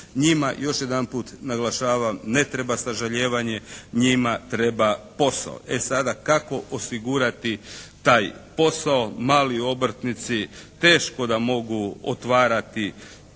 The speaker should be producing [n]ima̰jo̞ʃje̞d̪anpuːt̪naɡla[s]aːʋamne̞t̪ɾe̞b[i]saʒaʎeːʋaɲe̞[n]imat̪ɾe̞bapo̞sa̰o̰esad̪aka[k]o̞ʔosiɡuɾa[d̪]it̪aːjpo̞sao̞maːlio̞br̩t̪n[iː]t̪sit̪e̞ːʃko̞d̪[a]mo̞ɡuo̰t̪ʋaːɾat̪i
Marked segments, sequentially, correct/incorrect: incorrect: ɲ, incorrect: ʃ, incorrect: a, incorrect: ɲ, correct, incorrect: t̪, incorrect: i, correct

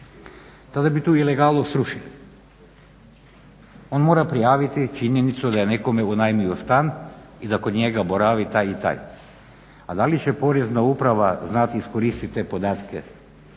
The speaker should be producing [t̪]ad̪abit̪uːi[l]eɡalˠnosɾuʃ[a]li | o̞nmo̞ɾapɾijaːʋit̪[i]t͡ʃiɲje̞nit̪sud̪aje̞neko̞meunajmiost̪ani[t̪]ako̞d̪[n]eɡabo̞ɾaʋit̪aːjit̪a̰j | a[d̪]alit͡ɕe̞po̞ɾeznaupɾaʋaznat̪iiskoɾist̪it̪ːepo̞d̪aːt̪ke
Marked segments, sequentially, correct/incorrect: correct, correct, incorrect: i, correct, incorrect: d̪, incorrect: ɲ, correct

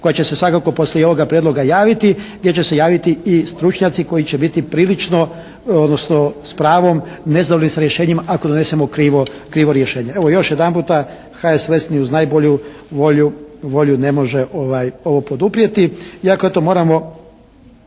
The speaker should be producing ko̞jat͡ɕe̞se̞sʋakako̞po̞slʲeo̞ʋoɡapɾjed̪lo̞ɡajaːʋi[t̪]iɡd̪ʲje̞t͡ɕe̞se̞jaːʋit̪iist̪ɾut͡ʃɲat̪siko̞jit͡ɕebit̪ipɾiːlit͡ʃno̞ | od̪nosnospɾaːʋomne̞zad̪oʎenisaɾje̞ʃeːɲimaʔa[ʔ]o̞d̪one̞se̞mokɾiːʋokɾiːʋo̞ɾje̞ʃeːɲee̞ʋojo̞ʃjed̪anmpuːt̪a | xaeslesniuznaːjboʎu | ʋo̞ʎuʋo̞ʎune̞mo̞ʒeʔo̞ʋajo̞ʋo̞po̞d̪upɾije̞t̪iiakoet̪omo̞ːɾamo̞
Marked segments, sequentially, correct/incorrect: correct, incorrect: k

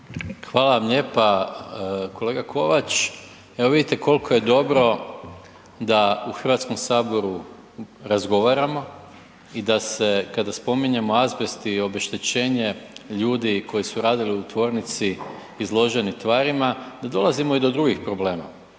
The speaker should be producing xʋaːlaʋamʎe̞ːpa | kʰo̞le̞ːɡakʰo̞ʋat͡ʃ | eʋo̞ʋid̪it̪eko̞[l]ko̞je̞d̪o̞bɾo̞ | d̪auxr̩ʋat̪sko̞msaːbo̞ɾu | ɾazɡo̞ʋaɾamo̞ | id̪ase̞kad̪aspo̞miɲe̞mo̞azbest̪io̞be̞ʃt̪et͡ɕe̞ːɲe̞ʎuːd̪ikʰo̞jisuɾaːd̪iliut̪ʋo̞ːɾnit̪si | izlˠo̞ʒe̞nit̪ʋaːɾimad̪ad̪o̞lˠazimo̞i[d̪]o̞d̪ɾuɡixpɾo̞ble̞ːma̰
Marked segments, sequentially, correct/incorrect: correct, correct

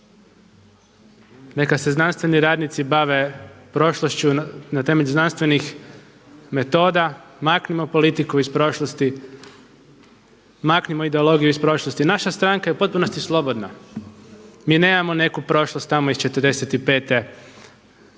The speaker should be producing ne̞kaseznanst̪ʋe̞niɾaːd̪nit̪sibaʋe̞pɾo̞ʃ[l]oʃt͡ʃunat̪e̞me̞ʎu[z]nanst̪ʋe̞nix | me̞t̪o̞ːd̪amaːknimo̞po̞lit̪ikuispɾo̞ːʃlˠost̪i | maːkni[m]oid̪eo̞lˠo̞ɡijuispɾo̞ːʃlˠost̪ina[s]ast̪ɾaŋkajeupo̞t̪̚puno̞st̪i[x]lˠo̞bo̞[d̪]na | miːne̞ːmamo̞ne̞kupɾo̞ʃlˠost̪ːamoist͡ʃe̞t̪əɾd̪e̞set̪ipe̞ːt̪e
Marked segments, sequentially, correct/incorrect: correct, correct, correct, incorrect: ʃ, incorrect: s, correct

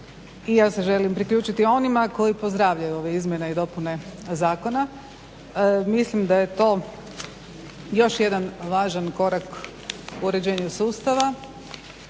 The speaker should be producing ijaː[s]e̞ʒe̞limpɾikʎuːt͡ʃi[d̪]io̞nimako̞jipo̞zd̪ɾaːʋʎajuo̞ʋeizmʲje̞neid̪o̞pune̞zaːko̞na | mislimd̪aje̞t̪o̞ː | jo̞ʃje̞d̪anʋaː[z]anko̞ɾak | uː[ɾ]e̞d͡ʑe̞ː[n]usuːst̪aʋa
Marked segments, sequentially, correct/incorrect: correct, incorrect: t̪, incorrect: ʒ, correct, incorrect: ɲ

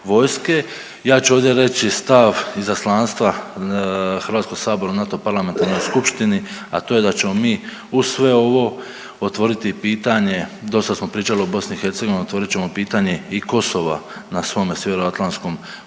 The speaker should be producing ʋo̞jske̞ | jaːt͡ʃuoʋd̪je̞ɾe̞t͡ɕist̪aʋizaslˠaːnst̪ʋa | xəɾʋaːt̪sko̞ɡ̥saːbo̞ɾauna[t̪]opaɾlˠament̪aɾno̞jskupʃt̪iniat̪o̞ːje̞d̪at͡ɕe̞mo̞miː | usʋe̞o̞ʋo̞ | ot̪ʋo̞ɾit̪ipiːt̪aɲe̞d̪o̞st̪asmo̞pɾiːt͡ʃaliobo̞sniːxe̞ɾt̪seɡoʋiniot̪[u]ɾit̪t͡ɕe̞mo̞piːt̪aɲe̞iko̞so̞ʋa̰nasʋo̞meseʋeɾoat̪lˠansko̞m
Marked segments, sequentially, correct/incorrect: correct, incorrect: o

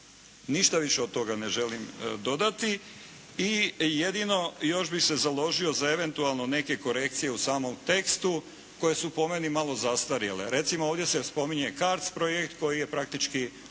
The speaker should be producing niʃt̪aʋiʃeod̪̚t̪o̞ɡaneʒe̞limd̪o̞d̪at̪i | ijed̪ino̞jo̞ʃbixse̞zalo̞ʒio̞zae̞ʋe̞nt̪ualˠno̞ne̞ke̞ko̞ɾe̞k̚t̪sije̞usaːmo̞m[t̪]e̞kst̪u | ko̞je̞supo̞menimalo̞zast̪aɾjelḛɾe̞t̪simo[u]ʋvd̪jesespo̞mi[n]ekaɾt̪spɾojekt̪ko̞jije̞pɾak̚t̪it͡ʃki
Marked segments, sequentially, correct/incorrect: correct, incorrect: o, incorrect: ɲ

